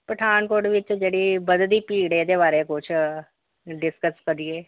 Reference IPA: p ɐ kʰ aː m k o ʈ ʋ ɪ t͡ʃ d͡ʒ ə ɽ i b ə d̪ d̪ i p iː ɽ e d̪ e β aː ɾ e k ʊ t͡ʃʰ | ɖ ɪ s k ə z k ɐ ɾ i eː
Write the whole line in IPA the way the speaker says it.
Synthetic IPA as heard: p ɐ ʈʰ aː n k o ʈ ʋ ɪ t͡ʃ d͡ʒ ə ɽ i b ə d̪ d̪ i p iː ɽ e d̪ e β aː ɾ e k ʊ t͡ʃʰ | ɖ ɪ s k ə s k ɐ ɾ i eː